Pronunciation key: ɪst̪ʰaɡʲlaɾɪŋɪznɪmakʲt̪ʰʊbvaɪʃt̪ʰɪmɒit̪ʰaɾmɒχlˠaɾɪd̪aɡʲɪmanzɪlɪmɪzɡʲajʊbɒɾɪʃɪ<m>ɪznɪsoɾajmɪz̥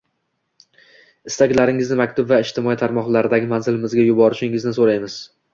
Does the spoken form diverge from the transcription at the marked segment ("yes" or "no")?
yes